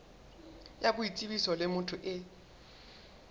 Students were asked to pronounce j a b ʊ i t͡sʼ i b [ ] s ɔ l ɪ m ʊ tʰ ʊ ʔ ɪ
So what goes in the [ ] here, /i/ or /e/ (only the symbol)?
i